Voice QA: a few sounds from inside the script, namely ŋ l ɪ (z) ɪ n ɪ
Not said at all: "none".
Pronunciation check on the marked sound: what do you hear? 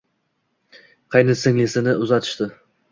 s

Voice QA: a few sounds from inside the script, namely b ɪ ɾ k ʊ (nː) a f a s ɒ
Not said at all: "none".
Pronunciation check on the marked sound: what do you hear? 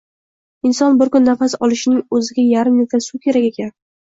nː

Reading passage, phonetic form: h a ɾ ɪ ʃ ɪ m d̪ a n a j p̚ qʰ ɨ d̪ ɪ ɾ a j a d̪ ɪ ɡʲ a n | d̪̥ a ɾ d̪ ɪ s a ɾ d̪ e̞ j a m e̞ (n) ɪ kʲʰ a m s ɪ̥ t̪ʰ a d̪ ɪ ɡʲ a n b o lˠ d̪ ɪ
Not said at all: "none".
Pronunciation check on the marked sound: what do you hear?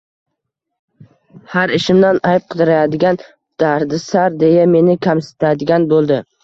n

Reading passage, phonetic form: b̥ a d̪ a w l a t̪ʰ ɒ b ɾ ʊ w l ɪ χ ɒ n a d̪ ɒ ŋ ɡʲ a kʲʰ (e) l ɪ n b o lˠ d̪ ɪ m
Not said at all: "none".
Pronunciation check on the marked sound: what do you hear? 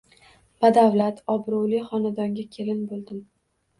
e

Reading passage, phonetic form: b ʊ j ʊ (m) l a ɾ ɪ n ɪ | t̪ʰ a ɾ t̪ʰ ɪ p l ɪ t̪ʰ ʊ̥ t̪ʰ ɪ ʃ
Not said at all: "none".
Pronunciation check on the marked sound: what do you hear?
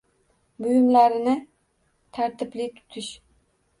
m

